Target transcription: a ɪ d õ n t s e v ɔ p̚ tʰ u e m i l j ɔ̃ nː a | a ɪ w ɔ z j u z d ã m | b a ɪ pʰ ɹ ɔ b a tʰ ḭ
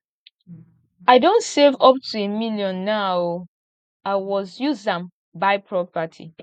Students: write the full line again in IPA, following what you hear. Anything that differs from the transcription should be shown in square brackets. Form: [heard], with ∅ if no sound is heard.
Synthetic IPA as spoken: a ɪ d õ n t s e v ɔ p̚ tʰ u e m i l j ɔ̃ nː a | a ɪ w ɔ z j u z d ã m | b a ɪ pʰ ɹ ɔ [p] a tʰ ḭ